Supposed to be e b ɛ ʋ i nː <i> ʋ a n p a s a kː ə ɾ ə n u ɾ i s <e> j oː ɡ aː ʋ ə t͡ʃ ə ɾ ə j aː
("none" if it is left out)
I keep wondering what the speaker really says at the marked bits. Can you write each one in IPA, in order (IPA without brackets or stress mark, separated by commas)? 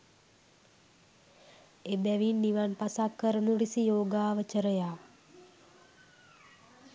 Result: i, i